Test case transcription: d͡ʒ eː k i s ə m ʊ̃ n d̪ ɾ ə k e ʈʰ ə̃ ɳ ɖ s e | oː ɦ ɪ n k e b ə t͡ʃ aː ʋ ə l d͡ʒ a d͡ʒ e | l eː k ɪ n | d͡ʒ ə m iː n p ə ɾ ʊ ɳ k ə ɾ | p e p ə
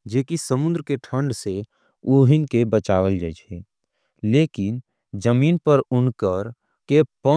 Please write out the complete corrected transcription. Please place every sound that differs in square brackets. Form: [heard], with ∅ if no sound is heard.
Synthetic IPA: d͡ʒ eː k i s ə m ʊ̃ n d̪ ɾ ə k e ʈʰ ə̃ ɳ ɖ s e | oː ɦ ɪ n k e b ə t͡ʃ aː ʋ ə l d͡ʒ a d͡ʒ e | l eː k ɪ n | d͡ʒ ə m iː n p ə ɾ ʊ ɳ k ə ɾ | [k] e p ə